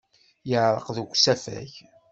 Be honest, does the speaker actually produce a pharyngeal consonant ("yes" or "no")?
yes